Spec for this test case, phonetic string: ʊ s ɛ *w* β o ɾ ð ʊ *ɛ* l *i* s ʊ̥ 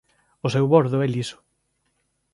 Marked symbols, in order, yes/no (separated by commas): yes, yes, yes